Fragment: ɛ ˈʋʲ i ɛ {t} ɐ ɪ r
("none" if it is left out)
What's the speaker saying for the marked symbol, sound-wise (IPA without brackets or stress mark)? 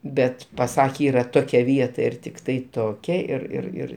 t